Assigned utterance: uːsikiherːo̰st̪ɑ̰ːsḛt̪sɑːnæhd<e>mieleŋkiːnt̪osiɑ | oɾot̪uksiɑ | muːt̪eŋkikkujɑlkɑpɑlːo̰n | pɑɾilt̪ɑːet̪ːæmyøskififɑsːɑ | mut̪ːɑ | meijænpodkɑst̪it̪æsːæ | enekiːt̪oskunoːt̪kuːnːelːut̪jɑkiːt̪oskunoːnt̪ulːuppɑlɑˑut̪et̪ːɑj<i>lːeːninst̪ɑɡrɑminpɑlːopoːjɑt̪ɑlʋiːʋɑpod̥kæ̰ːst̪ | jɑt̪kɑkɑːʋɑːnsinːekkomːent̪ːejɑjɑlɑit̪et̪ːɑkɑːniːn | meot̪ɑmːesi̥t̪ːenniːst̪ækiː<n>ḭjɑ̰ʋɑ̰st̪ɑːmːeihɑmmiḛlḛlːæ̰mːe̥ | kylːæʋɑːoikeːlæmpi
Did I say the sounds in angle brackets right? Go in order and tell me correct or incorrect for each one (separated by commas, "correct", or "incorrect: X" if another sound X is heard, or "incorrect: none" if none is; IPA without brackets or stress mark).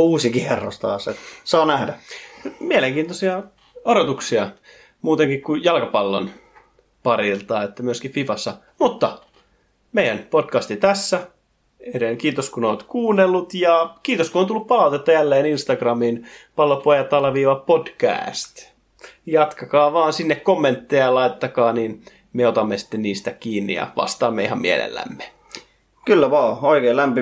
incorrect: æ, incorrect: æ, incorrect: nː